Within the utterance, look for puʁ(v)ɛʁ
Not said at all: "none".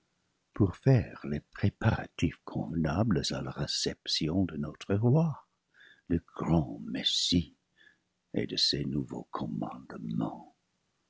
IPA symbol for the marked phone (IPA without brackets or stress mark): f